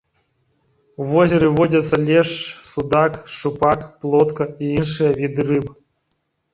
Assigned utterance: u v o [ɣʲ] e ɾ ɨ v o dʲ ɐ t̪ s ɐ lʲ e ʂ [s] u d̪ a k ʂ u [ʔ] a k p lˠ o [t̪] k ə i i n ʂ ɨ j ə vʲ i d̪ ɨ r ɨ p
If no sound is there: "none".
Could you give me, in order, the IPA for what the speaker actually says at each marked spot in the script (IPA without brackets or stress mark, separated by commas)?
zʲ, s, p, t̪